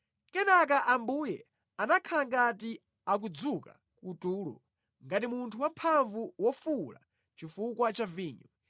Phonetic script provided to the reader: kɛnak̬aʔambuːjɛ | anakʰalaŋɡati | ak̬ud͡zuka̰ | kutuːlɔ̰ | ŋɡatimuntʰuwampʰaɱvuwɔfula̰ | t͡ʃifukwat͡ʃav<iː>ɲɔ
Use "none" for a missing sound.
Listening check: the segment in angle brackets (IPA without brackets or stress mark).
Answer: iː